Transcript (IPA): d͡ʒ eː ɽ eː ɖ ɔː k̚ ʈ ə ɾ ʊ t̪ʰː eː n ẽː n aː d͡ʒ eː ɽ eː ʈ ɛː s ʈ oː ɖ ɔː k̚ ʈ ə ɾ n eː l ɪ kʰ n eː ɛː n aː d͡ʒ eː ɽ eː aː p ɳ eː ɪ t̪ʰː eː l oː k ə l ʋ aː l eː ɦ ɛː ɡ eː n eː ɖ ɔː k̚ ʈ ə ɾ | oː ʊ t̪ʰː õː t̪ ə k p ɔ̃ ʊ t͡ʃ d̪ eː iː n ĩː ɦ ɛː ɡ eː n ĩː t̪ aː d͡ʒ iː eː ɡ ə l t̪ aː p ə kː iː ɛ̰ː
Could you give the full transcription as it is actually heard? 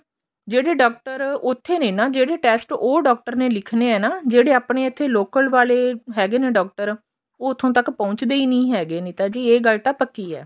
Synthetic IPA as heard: d͡ʒ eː ɽ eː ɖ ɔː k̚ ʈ ə ɾ ʊ t̪ʰː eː n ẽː n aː d͡ʒ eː ɽ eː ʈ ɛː s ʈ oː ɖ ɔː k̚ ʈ ə ɾ n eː l ɪ kʰ n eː ɛː n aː d͡ʒ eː ɽ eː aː p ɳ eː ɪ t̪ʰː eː l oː k ə l ʋ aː l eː ɦ ɛː ɡ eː n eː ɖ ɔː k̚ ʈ ə ɾ | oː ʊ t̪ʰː õː t̪ ə k p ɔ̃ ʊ t͡ʃ d̪ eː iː n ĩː ɦ ɛː ɡ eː n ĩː t̪ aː d͡ʒ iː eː ɡ ə l t̪ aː p ə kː iː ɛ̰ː